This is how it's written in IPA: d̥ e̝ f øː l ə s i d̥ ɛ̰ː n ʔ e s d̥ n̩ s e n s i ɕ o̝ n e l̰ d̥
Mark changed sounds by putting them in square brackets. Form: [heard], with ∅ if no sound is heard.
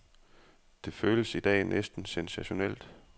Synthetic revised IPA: d̥ e̝ f øː l ə s i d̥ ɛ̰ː n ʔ e s d̥ n̩ s e n s [æ] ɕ o̝ n e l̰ d̥